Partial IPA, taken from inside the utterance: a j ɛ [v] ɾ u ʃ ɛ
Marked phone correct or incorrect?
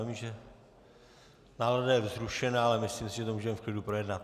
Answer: incorrect